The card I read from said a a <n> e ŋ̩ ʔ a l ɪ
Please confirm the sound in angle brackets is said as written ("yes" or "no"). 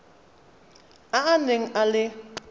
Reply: yes